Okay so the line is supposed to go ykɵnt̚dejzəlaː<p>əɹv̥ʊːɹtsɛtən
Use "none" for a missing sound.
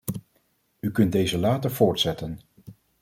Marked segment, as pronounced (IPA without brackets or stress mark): t